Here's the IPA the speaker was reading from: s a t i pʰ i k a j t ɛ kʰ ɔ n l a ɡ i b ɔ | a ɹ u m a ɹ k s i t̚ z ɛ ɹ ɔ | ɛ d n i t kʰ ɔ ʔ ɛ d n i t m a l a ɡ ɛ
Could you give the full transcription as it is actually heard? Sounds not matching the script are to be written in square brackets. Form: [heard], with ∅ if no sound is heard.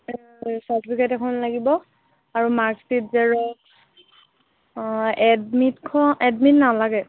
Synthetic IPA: s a t i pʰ i k a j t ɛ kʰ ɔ n l a ɡ i b ɔ | a ɹ u m a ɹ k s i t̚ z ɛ ɹ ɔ | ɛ d [m] i t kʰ ɔ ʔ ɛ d [m] i t [n] a l a ɡ ɛ